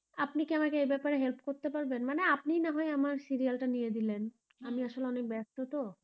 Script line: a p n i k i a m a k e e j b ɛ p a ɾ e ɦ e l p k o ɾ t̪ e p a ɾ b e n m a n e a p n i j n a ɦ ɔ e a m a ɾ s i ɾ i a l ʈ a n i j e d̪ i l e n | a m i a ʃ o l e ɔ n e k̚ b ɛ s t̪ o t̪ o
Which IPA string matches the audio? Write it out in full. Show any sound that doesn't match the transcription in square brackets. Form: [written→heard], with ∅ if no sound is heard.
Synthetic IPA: a p n i k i a m a k e e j b ɛ p a ɾ e ɦ e l p k o ɾ t̪ e p a ɾ b e n m a n e a p n i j n a ɦ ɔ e a m a ɾ s i ɾ i a l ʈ a n i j e d̪ i l e n | a m i a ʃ o l e ɔ n e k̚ b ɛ s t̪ o t̪ o